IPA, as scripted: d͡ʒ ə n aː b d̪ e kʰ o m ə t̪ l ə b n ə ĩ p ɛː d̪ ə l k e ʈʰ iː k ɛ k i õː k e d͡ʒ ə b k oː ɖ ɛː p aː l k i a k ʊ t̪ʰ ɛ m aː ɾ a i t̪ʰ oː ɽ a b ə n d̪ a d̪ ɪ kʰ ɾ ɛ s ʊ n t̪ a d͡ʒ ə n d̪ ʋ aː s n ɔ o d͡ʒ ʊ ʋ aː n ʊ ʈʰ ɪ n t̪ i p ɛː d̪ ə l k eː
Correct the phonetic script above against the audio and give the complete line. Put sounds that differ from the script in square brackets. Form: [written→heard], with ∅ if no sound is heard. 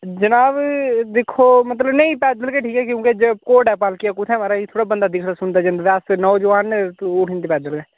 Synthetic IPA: d͡ʒ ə n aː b d̪ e kʰ o m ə t̪ l ə b n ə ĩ p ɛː d̪ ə l k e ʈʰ iː k ɛ k [i→j] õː k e d͡ʒ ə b k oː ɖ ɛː p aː l k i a k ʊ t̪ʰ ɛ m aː ɾ a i t̪ʰ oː ɽ a b ə n d̪ a d̪ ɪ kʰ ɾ [ɛ→a] s ʊ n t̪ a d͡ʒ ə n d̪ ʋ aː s n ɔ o d͡ʒ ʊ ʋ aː n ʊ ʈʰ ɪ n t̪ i p ɛː d̪ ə l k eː